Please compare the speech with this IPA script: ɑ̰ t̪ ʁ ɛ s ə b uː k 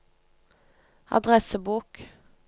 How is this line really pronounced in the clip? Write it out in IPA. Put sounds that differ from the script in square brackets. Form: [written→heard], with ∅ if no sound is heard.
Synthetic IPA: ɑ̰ [t̪→d̪] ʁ ɛ s ə b uː k